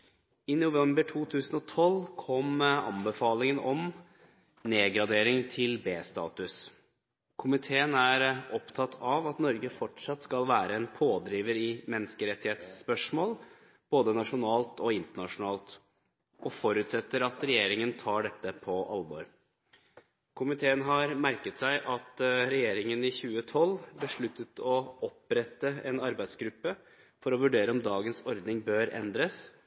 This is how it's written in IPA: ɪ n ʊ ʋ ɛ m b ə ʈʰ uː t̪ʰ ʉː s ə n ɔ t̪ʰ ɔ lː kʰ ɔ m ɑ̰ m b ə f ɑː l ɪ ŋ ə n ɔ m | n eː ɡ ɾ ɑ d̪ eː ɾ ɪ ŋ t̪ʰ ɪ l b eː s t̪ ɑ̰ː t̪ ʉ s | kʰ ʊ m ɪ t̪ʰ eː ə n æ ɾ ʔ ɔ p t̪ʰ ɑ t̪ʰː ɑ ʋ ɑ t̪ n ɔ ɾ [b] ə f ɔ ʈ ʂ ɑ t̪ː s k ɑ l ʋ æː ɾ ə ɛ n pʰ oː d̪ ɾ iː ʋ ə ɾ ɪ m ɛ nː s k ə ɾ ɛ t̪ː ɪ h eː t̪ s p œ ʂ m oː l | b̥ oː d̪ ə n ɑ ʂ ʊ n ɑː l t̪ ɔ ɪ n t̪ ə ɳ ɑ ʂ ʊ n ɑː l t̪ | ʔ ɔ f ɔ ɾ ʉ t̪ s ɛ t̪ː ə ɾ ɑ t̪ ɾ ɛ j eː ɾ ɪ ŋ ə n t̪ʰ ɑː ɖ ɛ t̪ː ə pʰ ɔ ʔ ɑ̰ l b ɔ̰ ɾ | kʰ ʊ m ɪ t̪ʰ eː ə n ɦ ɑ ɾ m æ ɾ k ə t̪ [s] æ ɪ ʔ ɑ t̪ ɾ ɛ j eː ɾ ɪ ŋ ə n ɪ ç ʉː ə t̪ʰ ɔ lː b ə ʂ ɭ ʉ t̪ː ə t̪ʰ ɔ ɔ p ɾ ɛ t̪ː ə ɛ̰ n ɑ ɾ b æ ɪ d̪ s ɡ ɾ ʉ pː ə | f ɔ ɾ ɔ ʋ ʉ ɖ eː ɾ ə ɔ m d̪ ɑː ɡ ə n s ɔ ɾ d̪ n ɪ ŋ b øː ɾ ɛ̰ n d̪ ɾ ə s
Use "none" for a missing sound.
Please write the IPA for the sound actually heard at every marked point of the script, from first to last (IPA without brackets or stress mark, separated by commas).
ɡ, s